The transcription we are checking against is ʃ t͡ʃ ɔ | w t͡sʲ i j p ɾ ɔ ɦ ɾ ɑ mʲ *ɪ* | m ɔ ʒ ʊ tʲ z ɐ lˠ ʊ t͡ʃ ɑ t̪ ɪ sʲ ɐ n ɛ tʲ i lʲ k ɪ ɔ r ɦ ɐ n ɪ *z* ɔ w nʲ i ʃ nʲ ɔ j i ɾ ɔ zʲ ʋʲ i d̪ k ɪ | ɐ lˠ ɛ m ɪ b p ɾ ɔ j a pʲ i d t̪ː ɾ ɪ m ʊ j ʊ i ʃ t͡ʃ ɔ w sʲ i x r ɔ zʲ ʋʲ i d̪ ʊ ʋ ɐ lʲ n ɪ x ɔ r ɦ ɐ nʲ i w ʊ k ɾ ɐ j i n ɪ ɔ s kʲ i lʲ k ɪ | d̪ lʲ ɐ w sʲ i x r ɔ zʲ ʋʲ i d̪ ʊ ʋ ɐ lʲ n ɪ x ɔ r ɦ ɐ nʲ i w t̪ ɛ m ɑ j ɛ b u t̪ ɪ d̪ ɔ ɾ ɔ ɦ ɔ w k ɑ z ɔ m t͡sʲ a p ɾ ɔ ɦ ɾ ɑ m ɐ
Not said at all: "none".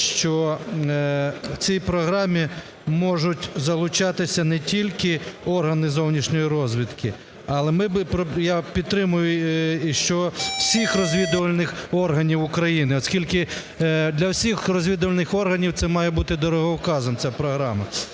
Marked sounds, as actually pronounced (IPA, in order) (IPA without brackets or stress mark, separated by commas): i, z